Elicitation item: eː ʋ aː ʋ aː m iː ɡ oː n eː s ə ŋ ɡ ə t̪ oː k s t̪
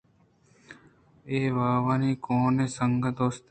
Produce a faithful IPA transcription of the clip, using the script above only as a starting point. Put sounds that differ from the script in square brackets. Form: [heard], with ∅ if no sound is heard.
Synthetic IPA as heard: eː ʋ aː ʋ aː [n] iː [k] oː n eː s ə ŋ ɡ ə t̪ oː [∅] s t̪